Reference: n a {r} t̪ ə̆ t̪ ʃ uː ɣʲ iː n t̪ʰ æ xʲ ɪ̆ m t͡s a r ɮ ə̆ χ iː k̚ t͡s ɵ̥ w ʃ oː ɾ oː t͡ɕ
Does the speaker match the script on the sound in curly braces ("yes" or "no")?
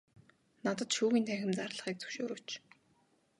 no